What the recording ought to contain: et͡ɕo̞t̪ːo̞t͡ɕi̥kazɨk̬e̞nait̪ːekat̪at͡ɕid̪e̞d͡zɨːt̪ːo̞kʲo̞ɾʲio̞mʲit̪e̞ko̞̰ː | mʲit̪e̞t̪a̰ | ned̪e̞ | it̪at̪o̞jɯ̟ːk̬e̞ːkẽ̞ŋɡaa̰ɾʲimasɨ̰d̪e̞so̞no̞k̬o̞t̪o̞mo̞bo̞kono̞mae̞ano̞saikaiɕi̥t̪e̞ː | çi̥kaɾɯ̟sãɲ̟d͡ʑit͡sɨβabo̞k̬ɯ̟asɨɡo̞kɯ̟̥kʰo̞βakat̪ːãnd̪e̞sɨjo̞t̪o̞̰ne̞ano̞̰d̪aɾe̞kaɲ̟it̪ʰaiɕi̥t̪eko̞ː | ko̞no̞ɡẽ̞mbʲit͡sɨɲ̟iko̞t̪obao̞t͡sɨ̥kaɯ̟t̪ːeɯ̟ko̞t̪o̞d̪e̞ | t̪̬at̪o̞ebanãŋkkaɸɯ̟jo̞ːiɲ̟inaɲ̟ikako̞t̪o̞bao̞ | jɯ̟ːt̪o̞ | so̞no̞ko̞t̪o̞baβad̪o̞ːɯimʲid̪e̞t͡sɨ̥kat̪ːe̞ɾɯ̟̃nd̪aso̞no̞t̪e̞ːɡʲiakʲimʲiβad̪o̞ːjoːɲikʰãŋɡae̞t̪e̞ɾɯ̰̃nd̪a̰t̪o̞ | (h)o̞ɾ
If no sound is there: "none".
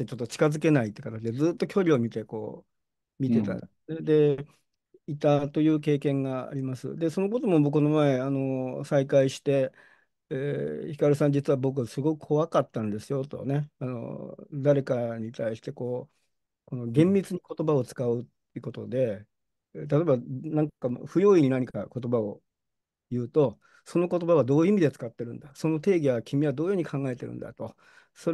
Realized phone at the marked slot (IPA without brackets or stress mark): s